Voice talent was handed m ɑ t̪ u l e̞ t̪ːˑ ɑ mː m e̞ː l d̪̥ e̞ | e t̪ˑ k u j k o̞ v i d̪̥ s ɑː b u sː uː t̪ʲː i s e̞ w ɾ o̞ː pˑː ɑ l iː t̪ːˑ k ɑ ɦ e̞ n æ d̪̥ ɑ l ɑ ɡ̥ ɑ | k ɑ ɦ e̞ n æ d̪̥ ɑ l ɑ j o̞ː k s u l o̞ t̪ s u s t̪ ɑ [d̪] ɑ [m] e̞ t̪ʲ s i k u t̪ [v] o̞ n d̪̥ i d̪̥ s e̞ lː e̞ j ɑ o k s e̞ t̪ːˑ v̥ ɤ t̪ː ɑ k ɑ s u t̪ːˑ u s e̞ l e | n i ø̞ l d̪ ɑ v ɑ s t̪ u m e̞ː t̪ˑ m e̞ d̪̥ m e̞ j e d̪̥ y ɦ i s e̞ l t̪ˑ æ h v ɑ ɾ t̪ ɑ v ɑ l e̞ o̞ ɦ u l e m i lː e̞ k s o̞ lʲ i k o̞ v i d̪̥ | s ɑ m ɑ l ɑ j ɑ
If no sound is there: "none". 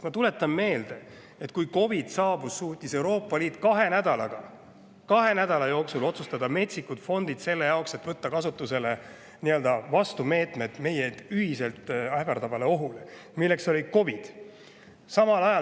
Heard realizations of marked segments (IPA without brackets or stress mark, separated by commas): d̪, m, f